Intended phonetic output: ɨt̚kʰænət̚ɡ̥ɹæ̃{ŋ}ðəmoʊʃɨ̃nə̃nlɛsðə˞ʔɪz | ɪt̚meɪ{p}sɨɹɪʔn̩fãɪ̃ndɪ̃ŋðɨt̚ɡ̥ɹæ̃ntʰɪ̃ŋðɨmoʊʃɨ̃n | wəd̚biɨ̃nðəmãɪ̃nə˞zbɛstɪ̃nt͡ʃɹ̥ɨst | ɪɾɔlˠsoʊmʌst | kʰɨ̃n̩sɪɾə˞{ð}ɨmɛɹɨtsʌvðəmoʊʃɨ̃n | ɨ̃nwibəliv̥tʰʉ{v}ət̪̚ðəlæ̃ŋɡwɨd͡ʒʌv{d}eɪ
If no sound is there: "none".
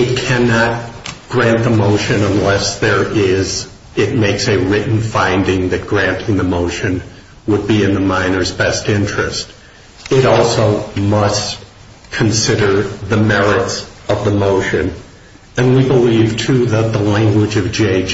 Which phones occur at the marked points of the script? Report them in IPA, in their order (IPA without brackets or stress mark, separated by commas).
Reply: n, k, ð, ð, d͡ʒ